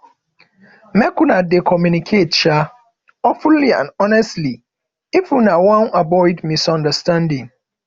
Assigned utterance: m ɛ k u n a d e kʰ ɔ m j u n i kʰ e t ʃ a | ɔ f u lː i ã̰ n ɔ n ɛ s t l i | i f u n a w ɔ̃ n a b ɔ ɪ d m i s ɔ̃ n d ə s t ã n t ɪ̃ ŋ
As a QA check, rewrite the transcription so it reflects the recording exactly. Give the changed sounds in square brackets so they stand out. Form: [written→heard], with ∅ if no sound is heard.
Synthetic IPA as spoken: m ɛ k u n a d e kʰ ɔ m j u n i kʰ e t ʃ a | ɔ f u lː i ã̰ n ɔ n ɛ s t l i | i f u n a w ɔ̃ n a b ɔ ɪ d m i s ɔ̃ n d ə s t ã n [t→d] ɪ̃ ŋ

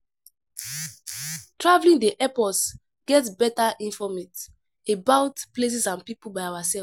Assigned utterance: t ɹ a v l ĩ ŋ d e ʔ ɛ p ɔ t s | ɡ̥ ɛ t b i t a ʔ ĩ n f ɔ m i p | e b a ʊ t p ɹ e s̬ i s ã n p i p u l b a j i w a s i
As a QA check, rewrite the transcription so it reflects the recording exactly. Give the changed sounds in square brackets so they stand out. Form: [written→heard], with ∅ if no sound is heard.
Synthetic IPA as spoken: t ɹ a v l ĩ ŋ d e ʔ ɛ p ɔ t s | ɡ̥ ɛ t b [i→ɛ] t a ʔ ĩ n f ɔ m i [p→t] | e b a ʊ t p [ɹ→l] e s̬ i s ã n p i p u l b a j [i→a] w a s [i→ɛ]

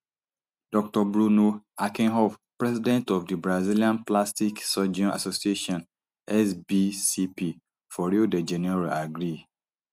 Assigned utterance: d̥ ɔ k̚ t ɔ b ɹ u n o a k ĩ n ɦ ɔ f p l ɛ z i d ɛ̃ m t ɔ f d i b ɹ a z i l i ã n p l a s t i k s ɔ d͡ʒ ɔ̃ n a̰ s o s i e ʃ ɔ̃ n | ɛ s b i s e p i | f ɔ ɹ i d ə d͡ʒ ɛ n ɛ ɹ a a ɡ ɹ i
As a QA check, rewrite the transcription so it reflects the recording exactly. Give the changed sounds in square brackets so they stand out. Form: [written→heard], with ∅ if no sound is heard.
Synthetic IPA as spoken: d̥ ɔ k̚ t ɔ b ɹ u n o a k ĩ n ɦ ɔ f p [l→ɹ] ɛ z i d ɛ̃ [m→n] t ɔ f d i b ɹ a z i l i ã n p l a s t i k s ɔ d͡ʒ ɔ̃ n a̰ s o s i e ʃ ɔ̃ n | ɛ s b i s [e→i] p i | f ɔ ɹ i d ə d͡ʒ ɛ n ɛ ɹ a a ɡ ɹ i

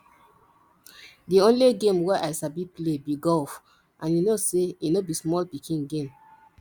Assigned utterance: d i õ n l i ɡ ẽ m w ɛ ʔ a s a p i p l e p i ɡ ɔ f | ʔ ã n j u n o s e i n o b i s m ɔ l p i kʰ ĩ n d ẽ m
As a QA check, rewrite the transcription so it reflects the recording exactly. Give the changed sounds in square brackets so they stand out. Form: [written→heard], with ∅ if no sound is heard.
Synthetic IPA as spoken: d i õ n l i ɡ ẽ m w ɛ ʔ a s a [p→b] i p l e [p→b] i ɡ ɔ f | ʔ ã n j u n o s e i n o b i s m ɔ l p i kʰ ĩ n [d→ɡ] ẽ m

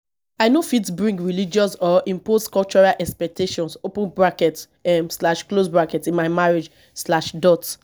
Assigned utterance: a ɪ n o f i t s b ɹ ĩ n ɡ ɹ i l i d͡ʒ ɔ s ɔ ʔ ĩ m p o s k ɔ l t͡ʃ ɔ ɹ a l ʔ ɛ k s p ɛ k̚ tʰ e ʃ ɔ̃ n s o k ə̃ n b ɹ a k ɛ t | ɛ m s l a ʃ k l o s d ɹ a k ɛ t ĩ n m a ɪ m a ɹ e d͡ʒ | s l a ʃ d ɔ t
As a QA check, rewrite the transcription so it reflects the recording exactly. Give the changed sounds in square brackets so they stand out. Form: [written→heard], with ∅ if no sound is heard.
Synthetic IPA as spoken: a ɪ n o f i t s b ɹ ĩ [n→ŋ] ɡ ɹ i l i d͡ʒ ɔ s ɔ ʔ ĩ m p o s k ɔ l t͡ʃ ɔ ɹ a l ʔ ɛ k s p ɛ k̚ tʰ e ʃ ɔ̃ n s o [k→p] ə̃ n b ɹ a k ɛ t | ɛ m s l a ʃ k l o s [d→b] ɹ a k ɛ t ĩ n m a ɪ m a ɹ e d͡ʒ | s l a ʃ d ɔ t

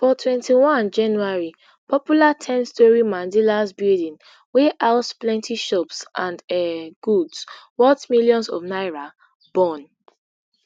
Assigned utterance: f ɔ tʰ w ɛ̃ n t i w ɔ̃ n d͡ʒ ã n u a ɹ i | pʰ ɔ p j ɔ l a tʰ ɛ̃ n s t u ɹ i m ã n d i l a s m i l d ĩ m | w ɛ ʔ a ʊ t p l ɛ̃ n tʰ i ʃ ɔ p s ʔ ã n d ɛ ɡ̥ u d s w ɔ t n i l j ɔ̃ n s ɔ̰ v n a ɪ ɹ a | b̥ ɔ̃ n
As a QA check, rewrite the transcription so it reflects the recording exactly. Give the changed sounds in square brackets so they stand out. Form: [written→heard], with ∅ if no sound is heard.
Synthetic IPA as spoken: f ɔ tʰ w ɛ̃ n t i w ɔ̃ n d͡ʒ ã n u a ɹ i | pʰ ɔ p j [ɔ→u] l a tʰ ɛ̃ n s t [u→ɔ] ɹ i m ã n d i l a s [m→b] i l d ĩ [m→n] | w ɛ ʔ a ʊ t p l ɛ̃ n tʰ i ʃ ɔ p s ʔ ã n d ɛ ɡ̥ u d s w ɔ t [n→m] i l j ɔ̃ n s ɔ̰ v n a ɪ ɹ a | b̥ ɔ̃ n

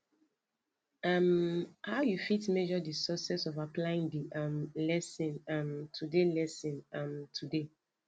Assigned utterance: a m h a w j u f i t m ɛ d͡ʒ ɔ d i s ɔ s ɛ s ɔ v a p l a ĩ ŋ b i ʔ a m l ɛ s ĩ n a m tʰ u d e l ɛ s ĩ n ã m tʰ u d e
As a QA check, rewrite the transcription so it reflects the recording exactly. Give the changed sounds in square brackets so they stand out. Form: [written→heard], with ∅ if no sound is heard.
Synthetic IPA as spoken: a m h a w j u f i t m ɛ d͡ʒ ɔ d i s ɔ s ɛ s ɔ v a p l a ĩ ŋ [b→d] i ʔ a m l ɛ s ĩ n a m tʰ u d e l ɛ s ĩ n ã m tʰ u d e

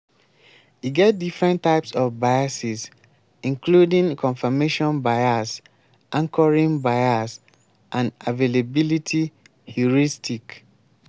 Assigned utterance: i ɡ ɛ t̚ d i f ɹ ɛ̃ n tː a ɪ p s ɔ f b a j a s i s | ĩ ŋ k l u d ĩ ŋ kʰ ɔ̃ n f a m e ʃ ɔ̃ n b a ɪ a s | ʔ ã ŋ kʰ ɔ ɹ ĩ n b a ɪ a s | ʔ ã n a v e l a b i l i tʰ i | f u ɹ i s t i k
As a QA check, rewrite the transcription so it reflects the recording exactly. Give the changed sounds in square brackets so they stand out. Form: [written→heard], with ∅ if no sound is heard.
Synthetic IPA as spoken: i ɡ ɛ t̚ d i f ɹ ɛ̃ n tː a ɪ p s ɔ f b a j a s i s | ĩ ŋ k l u d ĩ ŋ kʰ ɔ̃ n f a m e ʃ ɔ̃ n b a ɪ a s | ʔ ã ŋ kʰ ɔ ɹ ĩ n b a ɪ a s | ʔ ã n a v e l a b i l i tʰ i | [f→h] u ɹ i s t i k

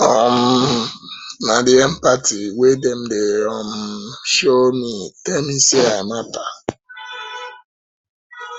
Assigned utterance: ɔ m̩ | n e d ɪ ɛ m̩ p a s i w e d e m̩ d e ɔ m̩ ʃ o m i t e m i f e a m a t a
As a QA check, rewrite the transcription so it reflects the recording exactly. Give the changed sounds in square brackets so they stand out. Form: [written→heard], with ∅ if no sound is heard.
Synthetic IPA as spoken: ɔ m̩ | n [e→a] d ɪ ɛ m̩ p a [s→t] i w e d e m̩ d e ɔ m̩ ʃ o m i t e m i [f→s] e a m a t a

